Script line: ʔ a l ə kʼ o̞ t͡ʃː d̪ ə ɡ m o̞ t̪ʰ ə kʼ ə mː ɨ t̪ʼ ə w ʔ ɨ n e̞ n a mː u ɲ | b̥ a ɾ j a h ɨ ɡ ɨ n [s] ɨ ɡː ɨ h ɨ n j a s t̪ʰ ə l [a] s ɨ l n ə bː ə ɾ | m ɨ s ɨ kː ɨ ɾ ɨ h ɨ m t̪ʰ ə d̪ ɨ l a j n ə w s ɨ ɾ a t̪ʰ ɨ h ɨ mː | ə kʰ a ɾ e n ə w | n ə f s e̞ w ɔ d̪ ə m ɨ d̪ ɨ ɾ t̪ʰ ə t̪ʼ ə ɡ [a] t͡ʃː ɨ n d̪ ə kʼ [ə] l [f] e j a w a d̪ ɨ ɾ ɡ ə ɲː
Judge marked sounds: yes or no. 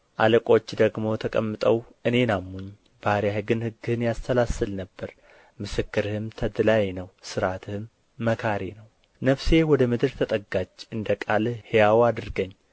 no, yes, yes, no, no

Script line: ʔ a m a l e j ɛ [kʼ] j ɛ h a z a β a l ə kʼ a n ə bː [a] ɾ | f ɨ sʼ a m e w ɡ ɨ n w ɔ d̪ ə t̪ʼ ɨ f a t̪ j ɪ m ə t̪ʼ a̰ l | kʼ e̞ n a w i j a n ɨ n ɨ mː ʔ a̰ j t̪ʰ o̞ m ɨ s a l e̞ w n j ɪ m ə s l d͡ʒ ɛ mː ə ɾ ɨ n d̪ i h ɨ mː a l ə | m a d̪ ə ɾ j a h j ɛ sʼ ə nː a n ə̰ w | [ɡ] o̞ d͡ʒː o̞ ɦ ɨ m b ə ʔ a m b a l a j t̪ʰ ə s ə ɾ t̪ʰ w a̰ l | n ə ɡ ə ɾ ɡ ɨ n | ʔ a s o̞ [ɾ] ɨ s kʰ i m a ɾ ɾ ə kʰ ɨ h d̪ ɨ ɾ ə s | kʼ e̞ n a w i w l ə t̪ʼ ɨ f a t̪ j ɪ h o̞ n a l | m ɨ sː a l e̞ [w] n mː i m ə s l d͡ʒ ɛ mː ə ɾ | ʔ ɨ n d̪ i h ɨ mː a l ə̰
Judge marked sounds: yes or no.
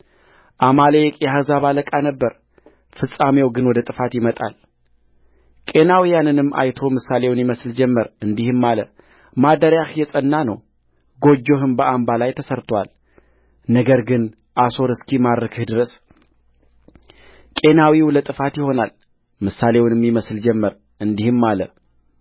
yes, no, yes, yes, yes

